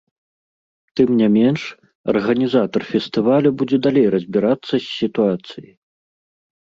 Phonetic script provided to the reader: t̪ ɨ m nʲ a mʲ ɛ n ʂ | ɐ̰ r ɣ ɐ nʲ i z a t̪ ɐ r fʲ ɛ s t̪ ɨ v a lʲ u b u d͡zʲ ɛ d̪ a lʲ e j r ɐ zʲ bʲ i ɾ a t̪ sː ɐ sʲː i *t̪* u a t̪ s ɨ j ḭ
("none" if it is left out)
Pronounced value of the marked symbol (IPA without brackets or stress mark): t̪